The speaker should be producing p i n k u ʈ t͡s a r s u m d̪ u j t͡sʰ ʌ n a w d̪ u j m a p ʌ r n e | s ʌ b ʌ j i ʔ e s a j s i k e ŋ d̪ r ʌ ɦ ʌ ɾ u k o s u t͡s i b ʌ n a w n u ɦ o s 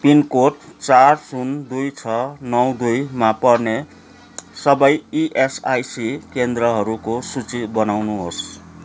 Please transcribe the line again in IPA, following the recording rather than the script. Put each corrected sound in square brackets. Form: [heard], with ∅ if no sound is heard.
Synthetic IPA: p i n k [o] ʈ t͡s a r s u [n] d̪ u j t͡sʰ ʌ n [ʌ] w d̪ u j m a p ʌ r n e | s ʌ b ʌ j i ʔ e s a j s i k e [n] d̪ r ʌ ɦ ʌ ɾ u k o s u t͡s i b ʌ n a w n u ɦ o s